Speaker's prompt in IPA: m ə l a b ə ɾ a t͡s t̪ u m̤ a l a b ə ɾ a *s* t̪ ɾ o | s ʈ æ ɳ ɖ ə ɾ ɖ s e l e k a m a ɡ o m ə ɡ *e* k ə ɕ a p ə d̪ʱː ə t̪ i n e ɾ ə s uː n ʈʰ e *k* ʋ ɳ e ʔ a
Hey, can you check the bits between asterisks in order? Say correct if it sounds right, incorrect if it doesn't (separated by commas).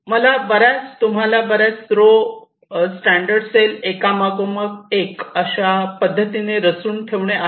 incorrect, correct, incorrect